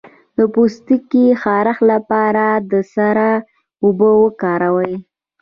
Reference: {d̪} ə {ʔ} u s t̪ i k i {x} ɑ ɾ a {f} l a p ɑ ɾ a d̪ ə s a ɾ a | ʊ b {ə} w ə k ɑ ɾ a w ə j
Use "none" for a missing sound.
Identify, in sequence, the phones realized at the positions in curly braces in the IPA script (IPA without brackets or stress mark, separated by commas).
d̪, p, x, x, ə